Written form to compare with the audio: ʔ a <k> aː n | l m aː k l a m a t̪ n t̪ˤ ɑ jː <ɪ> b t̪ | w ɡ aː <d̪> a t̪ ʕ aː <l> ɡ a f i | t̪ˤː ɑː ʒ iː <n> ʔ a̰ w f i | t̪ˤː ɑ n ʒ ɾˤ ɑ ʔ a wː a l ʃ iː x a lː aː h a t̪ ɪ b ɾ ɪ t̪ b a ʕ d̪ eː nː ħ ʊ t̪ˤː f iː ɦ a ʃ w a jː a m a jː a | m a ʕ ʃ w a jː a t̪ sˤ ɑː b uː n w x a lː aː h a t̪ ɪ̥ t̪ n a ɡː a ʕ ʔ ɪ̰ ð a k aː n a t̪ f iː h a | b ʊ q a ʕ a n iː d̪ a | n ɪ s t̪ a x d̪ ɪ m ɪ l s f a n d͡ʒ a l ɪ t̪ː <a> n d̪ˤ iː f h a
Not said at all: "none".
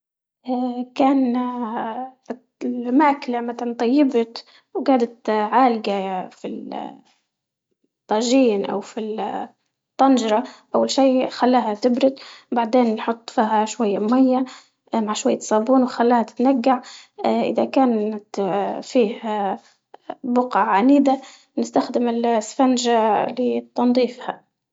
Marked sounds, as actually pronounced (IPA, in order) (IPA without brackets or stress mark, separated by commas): k, ɪ, d̪, l, n, ɑ